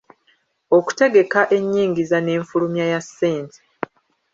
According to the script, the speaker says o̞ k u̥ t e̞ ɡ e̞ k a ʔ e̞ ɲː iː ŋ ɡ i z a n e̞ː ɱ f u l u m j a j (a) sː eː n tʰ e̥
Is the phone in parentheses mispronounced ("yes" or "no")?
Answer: no